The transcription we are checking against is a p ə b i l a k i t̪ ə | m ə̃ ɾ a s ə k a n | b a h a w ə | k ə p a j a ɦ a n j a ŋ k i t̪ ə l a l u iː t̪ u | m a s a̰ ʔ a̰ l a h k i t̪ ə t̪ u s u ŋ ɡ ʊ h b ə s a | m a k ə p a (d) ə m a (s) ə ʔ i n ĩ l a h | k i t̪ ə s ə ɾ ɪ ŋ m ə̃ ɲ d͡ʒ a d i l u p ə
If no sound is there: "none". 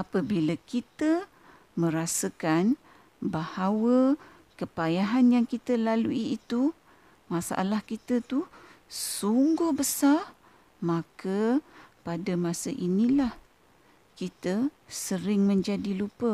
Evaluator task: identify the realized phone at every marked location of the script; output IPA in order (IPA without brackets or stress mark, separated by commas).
d, s